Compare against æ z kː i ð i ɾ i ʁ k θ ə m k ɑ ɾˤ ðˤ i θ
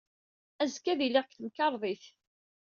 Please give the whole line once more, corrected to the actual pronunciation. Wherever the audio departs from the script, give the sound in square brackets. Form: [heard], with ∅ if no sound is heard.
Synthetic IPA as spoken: æ z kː [æ] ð i [l] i ʁ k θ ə m k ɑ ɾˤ ðˤ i θ